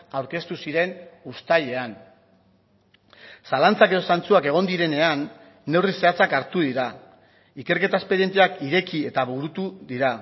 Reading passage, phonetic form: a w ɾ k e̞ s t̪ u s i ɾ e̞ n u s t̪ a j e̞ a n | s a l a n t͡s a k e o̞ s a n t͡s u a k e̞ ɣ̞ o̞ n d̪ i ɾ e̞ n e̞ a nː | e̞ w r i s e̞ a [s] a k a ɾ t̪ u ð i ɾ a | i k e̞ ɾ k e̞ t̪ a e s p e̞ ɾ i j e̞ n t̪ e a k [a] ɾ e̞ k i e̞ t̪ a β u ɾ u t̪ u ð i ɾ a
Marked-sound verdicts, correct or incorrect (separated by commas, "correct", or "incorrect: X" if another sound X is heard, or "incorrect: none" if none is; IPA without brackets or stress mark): incorrect: t͡s, incorrect: i